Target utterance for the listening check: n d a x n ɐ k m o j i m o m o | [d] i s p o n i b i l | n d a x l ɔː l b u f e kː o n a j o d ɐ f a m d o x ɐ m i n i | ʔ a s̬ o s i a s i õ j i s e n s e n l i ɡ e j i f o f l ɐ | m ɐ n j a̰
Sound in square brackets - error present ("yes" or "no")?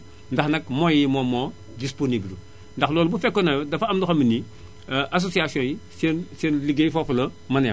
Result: no